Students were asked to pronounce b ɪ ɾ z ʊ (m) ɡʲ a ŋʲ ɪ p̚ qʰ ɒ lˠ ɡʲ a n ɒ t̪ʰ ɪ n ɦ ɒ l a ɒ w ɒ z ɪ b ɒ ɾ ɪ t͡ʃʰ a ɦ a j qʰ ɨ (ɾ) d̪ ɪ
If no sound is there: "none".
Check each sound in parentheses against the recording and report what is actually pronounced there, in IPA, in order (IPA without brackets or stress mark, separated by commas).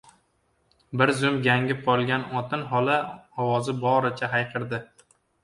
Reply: m, ɾ